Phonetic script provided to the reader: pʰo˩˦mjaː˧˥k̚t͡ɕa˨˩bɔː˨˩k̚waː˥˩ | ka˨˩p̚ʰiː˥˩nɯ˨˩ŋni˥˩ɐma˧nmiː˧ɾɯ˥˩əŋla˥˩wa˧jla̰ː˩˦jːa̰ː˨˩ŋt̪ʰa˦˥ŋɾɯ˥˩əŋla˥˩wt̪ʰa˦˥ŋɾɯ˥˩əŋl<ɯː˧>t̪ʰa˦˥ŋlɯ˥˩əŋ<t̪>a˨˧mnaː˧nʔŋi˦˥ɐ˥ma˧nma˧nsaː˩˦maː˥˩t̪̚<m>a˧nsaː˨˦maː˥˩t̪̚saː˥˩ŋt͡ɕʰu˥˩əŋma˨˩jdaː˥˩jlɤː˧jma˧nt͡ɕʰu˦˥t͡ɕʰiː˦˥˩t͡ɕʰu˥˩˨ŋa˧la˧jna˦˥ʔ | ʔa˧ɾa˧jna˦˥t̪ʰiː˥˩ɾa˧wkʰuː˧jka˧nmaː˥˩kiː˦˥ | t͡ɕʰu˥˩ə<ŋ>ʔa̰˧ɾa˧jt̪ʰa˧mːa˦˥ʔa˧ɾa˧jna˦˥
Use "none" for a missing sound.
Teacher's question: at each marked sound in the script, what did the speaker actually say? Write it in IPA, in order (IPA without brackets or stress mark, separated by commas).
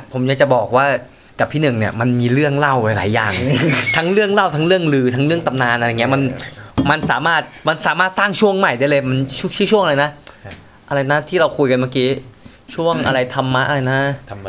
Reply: ɯː˧, t̪, m, ŋ